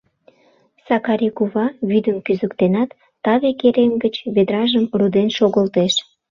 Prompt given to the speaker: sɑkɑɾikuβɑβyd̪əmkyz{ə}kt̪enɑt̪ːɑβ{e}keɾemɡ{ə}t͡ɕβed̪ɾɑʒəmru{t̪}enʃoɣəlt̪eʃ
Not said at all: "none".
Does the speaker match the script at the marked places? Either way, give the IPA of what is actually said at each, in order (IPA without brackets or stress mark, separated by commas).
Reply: ə, e, ə, d̪